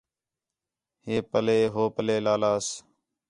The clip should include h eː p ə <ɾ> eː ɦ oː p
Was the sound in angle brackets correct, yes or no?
no